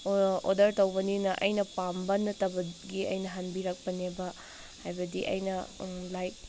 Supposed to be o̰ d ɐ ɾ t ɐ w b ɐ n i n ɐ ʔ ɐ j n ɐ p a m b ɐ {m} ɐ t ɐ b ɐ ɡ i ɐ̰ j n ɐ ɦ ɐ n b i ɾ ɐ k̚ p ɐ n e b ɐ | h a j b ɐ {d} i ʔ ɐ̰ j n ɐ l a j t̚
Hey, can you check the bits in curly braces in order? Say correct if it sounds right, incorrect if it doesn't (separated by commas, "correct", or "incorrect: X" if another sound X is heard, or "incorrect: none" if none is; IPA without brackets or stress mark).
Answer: incorrect: n, correct